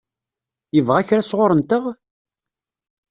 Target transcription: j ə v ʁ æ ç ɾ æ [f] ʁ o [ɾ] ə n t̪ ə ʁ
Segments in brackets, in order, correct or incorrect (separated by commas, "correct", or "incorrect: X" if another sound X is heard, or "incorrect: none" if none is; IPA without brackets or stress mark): incorrect: s, correct